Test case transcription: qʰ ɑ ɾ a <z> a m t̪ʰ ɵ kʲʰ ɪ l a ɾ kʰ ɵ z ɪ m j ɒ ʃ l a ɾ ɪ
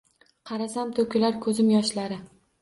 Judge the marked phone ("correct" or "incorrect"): incorrect